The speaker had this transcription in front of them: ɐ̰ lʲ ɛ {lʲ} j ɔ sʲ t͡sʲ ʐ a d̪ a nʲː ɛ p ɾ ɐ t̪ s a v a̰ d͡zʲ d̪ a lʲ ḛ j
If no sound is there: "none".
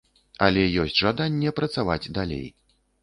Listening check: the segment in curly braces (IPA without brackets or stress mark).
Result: none